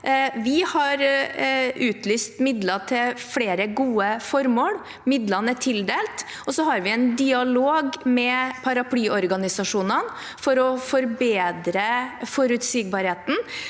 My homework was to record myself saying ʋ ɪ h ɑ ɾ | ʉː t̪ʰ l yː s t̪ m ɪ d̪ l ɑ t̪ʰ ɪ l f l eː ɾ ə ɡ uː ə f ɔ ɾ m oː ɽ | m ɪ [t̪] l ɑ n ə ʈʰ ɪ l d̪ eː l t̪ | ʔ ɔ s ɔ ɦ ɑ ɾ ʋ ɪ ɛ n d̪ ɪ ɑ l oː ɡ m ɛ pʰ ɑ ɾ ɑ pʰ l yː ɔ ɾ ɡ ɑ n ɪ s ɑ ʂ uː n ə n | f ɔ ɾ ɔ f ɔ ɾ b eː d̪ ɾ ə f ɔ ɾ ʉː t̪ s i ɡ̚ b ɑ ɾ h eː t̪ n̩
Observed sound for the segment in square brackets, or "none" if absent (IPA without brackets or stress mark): d̪